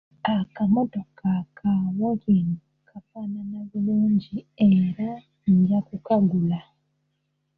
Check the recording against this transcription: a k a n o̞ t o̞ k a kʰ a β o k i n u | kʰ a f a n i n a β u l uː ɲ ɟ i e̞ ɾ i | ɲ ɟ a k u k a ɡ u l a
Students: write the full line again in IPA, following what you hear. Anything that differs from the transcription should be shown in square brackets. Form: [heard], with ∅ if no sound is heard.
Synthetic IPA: a k a [m] o̞ t o̞ k a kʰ a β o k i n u | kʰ a f a n [a] n a β u l uː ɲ ɟ i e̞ ɾ [a] | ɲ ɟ a k u k a ɡ u l a